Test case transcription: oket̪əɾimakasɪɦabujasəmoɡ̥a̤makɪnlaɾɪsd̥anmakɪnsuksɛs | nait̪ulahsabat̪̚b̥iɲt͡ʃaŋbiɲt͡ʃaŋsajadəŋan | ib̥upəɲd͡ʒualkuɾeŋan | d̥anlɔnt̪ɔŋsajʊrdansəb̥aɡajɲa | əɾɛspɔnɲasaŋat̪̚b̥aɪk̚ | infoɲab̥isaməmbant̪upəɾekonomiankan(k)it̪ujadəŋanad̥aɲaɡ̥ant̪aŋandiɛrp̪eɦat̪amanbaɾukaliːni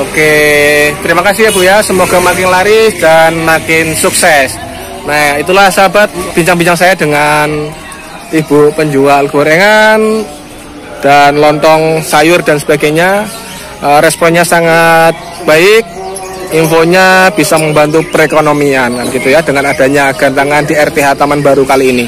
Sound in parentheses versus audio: incorrect: ɡ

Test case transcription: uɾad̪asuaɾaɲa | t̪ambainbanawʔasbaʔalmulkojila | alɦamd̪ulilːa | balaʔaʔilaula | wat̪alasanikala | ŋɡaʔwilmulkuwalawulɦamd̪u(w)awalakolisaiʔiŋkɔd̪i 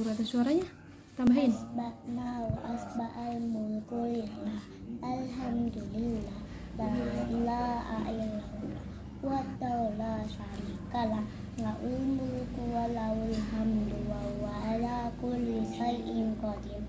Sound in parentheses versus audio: correct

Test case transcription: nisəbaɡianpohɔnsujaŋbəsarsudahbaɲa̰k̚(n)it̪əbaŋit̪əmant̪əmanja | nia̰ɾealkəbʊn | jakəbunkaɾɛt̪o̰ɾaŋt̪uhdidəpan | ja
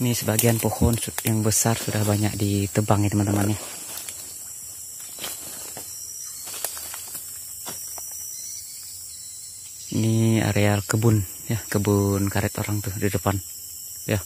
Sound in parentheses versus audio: incorrect: d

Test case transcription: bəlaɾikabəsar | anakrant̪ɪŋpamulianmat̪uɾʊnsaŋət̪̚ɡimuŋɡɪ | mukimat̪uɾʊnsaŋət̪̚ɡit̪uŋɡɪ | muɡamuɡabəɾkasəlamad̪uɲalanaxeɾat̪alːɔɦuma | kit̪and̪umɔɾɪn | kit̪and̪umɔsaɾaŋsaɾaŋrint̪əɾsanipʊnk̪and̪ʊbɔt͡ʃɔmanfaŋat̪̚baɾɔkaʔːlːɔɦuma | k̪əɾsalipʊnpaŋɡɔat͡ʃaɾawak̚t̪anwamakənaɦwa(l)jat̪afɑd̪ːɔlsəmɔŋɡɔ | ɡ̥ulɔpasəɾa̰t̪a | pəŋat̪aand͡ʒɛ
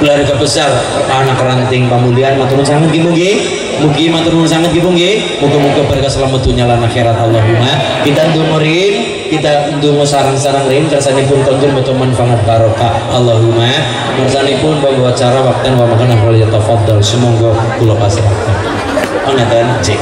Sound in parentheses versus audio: correct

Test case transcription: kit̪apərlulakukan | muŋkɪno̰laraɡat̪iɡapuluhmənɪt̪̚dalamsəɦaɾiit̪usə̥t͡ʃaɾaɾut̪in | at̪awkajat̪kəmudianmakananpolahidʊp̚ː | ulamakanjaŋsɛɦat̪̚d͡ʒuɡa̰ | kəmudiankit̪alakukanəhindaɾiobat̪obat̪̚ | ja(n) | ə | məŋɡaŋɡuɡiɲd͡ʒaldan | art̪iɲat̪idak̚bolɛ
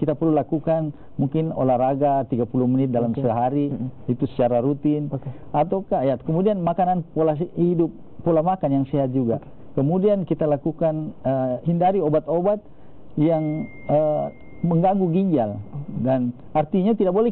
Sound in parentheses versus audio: incorrect: ŋ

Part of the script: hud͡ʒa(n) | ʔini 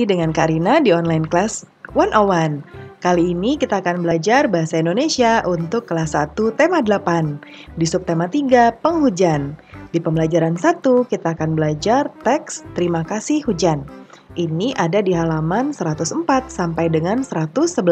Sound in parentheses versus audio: correct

